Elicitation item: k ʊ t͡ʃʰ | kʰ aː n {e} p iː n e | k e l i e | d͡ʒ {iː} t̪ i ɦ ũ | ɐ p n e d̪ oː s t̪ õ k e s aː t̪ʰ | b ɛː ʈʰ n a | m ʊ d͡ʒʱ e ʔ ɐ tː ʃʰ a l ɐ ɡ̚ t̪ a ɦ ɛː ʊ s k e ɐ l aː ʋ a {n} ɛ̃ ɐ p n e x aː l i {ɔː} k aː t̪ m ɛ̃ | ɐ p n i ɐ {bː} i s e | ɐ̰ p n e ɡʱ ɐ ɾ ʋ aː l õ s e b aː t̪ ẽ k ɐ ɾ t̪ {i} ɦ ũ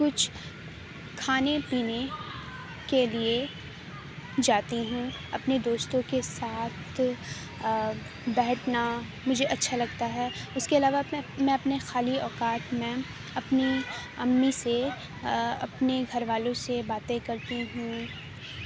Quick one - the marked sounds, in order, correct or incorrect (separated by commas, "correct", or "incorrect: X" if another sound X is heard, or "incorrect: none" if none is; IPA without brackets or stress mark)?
correct, incorrect: aː, incorrect: m, correct, incorrect: mː, correct